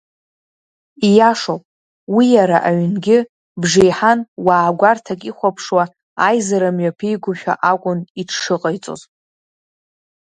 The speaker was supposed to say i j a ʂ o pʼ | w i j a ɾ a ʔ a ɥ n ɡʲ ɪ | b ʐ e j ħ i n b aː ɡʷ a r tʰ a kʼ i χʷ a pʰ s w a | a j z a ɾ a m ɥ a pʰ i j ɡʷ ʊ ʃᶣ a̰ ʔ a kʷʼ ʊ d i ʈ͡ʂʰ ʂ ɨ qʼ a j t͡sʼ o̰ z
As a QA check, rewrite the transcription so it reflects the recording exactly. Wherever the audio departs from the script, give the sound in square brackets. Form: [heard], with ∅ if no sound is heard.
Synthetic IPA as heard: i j a ʂ o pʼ | w i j a ɾ a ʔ a ɥ n ɡʲ ɪ | b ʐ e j ħ [a] n [w] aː ɡʷ a r tʰ a kʼ i χʷ a pʰ [ʂ] w a | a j z a ɾ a m ɥ a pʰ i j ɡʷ ʊ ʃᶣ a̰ ʔ a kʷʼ ʊ [n] i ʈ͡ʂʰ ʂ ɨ qʼ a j t͡sʼ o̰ z